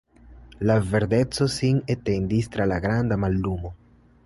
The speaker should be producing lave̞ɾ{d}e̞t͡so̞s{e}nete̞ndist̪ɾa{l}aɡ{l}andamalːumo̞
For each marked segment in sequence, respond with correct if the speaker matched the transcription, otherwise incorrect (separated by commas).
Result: correct, incorrect, correct, incorrect